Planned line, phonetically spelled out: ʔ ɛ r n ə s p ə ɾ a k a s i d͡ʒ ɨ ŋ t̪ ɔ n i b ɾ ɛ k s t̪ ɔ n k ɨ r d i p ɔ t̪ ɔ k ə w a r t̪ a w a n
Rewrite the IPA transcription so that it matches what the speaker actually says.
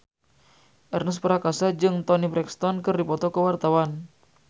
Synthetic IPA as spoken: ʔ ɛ r n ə s p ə ɾ a k a s a d͡ʒ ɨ ŋ t̪ ɔ n i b ɾ ɛ k s t̪ ɔ n k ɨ r d i p ɔ t̪ ɔ k ə w a r t̪ a w a n